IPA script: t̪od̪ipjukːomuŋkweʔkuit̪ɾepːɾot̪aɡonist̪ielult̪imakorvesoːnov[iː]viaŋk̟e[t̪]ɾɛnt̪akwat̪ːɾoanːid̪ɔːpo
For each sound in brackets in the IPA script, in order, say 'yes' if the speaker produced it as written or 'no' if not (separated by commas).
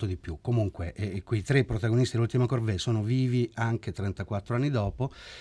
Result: yes, yes